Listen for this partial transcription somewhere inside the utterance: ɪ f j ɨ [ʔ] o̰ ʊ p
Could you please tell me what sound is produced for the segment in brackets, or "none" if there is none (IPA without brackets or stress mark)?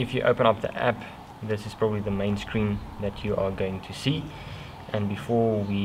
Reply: ʔ